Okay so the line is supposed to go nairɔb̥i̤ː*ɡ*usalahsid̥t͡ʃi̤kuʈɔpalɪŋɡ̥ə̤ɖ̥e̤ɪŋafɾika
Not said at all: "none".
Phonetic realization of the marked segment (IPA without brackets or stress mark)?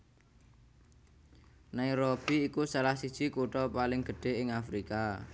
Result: k